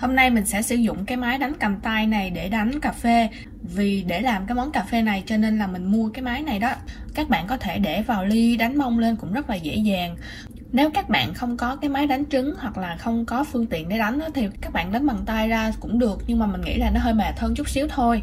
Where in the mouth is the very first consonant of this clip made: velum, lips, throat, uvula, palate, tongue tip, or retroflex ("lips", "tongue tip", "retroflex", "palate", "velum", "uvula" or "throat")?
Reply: throat